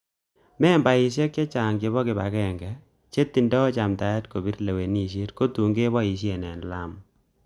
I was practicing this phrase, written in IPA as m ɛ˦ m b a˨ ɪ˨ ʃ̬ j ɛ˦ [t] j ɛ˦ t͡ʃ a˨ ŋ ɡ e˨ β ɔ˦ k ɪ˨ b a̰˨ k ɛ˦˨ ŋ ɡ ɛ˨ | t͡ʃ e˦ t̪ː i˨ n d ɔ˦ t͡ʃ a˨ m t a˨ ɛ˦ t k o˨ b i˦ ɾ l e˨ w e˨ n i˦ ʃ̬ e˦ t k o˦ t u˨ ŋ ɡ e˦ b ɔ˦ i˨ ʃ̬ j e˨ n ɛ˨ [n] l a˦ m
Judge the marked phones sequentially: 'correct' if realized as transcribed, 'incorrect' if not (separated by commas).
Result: incorrect, correct